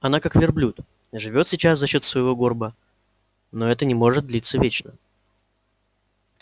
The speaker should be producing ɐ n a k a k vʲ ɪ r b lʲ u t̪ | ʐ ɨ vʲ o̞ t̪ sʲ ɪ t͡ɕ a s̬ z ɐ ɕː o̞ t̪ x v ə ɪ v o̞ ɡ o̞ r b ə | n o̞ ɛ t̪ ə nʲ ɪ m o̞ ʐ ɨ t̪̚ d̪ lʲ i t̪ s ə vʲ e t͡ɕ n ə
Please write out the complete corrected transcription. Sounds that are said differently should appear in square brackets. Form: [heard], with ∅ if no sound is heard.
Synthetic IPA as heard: ɐ n a k a k vʲ ɪ r b lʲ u t̪ | ʐ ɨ vʲ o̞ t̪ sʲ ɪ t͡ɕ a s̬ z ɐ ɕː o̞ t̪ [s] v ə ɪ v o̞ ɡ o̞ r b ə | n o̞ ɛ t̪ ə nʲ ɪ m o̞ ʐ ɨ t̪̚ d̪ lʲ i t̪ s ə vʲ e t͡ɕ n ə